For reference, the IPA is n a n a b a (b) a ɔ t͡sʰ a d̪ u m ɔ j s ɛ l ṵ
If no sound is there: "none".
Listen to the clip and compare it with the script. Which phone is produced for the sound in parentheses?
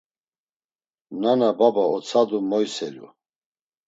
b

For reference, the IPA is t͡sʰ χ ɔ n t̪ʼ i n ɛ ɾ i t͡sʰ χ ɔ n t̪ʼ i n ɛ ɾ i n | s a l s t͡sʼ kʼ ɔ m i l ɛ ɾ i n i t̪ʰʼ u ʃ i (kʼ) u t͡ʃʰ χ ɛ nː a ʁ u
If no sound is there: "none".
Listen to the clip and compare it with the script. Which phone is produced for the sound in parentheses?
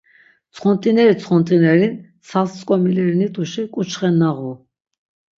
kʼ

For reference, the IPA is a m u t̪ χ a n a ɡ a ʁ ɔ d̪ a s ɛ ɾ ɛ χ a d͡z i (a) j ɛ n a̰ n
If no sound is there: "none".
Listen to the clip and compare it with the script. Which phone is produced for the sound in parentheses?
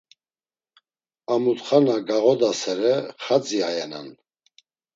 a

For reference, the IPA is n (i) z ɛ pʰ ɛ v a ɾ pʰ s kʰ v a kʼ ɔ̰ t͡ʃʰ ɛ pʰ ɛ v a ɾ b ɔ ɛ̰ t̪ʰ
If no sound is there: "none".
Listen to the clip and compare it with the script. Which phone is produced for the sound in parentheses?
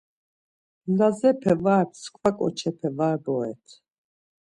a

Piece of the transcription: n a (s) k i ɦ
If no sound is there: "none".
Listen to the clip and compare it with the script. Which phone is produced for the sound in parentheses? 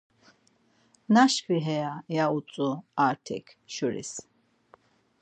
ʃ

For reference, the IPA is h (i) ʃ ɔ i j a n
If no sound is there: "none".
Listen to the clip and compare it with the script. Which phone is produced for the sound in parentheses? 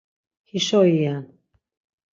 i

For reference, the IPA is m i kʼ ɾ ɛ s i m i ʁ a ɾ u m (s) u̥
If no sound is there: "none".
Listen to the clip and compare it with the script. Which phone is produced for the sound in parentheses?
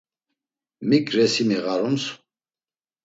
s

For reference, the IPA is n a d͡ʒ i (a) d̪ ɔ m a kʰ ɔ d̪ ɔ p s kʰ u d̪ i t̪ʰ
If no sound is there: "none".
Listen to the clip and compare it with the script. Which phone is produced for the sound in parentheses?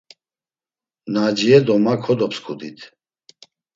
ɛ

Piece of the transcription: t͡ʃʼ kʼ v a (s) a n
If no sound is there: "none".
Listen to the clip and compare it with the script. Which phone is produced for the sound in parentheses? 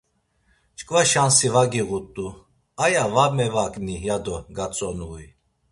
ʃ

